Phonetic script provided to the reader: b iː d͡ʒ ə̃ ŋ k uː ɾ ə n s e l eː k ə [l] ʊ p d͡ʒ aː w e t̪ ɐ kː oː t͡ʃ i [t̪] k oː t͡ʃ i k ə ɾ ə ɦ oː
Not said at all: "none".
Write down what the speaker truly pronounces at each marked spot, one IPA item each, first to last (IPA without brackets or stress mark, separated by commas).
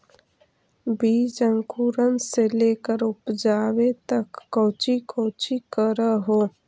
ɾ, none